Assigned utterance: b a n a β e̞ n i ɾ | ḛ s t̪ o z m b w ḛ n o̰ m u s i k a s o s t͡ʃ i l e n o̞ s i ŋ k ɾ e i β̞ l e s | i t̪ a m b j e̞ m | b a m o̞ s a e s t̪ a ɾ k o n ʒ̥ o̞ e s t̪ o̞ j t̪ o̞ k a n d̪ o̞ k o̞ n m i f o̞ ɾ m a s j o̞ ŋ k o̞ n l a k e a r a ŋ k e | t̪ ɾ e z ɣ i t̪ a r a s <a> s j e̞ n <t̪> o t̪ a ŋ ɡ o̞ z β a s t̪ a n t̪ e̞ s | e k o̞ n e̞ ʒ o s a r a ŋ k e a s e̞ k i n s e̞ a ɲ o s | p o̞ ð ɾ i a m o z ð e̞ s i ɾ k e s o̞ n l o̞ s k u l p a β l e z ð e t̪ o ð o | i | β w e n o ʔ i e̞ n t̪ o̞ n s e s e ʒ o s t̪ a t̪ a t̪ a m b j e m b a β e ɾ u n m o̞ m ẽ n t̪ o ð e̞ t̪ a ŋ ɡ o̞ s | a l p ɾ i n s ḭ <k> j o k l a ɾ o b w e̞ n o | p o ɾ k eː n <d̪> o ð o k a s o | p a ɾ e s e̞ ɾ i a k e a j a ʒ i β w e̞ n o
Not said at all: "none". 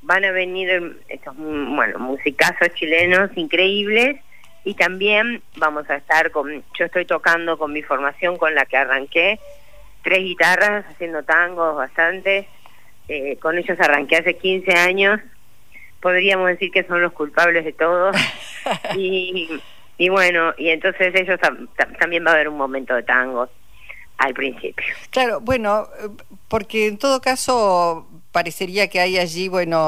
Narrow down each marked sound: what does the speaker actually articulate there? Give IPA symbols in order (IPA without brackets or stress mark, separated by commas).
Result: a, d̪, p, t̪